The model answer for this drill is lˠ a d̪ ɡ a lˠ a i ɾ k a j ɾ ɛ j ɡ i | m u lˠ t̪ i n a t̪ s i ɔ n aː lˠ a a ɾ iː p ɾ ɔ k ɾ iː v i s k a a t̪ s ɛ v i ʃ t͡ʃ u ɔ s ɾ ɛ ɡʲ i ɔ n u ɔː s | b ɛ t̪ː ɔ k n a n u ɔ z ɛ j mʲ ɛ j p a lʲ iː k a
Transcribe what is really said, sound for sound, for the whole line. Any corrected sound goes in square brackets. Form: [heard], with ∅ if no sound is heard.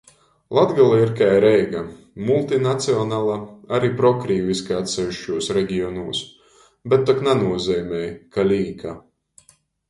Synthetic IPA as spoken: lˠ a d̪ ɡ a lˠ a i ɾ k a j ɾ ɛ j ɡ [a] | m u lˠ t̪ i n a t̪ s i ɔ n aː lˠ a a ɾ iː p ɾ ɔ k ɾ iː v i s k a a t̪ s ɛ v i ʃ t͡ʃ u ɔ s ɾ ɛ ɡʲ i ɔ n u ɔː s | b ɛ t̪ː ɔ k n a n u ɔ z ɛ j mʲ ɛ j [k] a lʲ iː k a